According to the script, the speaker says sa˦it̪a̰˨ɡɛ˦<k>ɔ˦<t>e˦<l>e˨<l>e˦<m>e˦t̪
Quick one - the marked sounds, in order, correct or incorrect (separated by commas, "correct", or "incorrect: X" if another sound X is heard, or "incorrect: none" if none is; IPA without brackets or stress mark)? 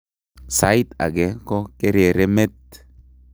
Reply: correct, incorrect: k, incorrect: ɾ, incorrect: ɾ, correct